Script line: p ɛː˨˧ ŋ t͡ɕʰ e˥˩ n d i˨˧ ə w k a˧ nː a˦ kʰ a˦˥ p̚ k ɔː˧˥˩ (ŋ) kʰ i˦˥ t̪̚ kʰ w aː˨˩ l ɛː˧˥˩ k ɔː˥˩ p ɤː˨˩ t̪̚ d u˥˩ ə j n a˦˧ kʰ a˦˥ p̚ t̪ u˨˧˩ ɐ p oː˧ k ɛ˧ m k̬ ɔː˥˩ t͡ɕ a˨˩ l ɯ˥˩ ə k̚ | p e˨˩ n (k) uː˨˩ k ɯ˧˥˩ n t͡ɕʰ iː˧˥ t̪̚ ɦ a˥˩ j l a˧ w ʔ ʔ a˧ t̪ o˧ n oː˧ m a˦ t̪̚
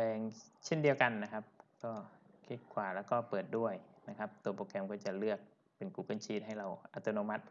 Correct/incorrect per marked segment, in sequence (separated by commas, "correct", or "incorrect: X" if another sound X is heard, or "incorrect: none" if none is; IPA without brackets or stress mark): incorrect: none, correct